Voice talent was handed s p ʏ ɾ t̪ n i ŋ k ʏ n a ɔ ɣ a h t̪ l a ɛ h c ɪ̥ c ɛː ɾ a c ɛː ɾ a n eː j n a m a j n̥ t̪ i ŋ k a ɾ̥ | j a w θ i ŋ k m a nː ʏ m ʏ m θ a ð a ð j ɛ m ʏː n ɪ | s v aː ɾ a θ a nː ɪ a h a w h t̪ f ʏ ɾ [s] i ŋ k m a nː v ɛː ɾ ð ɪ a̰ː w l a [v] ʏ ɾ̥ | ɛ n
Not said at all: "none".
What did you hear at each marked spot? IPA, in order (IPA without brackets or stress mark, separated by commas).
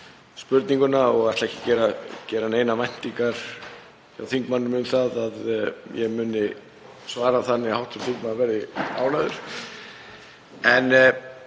θ, ð